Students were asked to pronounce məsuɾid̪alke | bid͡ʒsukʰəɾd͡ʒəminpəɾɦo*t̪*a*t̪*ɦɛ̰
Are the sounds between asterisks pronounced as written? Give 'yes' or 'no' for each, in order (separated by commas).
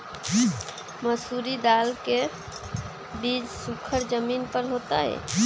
yes, no